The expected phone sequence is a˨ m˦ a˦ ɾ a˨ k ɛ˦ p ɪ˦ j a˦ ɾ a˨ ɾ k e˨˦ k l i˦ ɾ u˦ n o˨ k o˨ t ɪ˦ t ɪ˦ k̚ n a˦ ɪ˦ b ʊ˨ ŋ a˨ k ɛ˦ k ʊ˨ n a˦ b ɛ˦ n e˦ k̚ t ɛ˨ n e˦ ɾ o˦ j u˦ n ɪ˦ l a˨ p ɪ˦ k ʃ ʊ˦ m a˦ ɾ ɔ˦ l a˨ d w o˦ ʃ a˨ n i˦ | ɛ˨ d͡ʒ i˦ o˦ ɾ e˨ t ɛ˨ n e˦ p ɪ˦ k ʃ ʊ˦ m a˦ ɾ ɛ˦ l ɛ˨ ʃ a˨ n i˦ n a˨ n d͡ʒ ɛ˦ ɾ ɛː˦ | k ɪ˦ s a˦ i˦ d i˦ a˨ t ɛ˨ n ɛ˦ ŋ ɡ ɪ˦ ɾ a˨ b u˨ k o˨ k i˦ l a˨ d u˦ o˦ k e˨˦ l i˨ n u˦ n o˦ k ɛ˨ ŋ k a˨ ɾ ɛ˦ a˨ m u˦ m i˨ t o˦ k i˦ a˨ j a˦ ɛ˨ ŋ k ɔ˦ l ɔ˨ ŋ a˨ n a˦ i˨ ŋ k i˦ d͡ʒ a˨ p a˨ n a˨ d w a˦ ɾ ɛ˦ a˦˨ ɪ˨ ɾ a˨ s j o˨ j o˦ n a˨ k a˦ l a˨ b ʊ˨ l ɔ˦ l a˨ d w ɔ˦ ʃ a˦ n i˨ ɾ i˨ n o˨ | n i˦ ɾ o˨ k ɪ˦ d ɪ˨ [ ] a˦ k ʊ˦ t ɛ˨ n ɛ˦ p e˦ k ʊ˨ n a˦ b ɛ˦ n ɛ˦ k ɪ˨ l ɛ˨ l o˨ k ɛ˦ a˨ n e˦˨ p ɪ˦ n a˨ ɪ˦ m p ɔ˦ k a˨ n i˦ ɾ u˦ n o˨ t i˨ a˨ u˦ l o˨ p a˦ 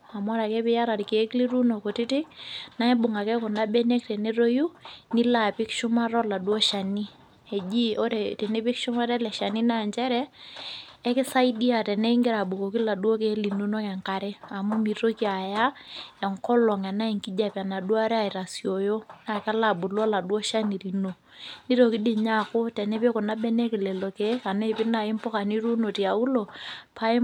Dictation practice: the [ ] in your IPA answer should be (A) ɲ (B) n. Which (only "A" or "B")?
A